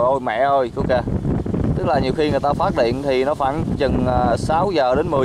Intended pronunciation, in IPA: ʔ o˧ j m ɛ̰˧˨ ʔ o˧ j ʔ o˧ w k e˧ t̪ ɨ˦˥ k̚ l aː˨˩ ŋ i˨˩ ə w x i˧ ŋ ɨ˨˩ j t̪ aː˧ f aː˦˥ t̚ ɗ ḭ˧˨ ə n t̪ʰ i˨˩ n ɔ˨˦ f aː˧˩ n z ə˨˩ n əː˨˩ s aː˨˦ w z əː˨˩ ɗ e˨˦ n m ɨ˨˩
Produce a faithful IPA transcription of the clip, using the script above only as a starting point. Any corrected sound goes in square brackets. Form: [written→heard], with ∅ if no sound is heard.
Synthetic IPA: ʔ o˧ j m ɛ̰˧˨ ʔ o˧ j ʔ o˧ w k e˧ t̪ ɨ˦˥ k̚ l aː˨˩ [ŋ→ɲ] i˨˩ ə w x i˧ ŋ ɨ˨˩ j t̪ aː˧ f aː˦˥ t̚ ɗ ḭ˧˨ ə n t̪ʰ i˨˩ n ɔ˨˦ f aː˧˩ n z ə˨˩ n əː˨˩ s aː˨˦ w z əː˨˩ ɗ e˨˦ n m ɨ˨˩

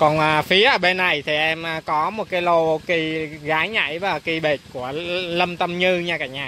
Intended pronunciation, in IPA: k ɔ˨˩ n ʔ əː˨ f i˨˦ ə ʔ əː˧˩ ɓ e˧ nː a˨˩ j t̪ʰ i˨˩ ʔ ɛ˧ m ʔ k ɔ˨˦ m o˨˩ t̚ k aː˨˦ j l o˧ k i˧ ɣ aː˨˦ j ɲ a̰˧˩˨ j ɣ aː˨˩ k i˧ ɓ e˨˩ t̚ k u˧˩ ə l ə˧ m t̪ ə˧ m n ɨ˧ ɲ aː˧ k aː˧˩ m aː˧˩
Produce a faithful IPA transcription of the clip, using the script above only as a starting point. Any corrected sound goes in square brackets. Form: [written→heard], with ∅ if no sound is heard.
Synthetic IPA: k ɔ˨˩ n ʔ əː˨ f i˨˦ ə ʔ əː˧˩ ɓ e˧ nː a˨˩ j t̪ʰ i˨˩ ʔ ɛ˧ m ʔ k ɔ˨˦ m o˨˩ t̚ k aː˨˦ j l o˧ k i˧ ɣ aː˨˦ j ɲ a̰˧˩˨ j [ɣ→v] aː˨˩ k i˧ ɓ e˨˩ t̚ k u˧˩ ə l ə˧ m t̪ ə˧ m [n→ɲ] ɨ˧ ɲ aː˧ k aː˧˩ [m→ɲ] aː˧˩

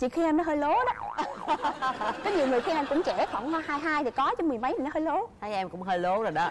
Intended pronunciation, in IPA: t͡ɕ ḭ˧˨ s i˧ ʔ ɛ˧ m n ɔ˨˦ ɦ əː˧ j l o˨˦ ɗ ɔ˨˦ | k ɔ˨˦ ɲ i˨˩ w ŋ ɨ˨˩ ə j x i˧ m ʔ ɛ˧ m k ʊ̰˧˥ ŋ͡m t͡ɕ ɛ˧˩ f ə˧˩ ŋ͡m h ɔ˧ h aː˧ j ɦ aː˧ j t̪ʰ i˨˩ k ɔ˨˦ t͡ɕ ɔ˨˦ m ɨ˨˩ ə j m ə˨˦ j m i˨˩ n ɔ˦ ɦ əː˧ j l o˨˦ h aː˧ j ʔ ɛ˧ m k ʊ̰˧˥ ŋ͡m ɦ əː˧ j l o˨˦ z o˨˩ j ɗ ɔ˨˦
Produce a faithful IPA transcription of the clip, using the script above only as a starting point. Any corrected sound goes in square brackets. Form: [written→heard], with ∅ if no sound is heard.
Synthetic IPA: t͡ɕ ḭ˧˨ [s→x] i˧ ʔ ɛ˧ m n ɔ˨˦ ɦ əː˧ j l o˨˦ ɗ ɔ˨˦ | k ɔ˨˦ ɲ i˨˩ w ŋ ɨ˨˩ ə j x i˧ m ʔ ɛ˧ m k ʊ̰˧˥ ŋ͡m t͡ɕ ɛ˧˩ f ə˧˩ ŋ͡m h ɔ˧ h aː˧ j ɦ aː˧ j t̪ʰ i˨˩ k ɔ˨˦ t͡ɕ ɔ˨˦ m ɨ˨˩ ə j m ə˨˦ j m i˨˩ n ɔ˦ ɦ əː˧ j l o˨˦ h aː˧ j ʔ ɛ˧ m k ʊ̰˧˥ ŋ͡m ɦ əː˧ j l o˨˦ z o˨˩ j ɗ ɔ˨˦

